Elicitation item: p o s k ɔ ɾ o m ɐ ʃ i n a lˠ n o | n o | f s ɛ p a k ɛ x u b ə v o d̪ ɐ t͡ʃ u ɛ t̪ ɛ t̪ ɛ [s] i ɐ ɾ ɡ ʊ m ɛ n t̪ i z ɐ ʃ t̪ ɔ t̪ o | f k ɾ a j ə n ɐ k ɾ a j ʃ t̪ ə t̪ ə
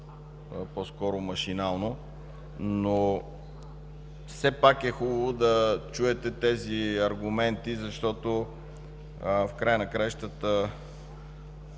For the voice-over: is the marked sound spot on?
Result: no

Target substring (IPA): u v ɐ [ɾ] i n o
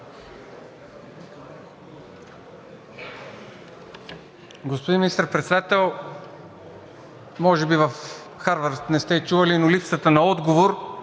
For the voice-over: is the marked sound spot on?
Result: no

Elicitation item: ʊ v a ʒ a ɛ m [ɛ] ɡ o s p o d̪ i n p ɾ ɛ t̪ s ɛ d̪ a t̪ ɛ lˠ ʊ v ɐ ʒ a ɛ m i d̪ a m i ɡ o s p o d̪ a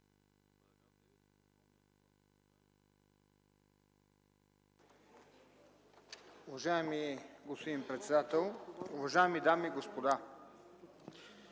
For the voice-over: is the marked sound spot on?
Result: no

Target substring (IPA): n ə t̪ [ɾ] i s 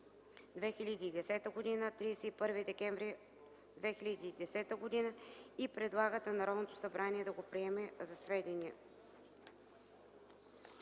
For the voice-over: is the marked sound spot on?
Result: yes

